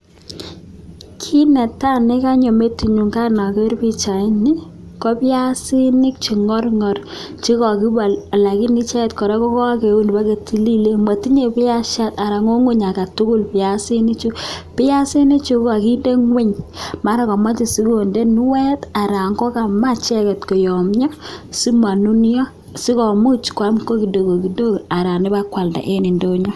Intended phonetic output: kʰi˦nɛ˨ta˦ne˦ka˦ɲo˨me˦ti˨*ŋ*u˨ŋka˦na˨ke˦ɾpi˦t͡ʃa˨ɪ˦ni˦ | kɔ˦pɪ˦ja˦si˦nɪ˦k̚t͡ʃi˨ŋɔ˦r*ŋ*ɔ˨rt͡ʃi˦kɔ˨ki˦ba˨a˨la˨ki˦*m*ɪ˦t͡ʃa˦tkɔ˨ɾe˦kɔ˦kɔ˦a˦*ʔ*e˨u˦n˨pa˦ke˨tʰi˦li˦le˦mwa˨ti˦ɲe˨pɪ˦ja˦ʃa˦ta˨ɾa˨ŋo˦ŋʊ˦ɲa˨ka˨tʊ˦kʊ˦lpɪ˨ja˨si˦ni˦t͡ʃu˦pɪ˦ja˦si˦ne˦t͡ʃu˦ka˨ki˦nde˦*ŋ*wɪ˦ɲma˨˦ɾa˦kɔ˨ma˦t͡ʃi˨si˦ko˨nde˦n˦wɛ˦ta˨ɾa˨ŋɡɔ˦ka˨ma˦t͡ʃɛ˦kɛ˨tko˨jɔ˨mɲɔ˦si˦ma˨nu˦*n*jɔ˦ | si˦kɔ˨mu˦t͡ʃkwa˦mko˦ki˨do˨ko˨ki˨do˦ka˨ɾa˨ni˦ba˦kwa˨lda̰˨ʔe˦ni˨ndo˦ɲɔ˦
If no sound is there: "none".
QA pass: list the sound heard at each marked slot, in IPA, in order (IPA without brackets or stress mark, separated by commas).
ɲ, ŋ, n, k, ŋ, n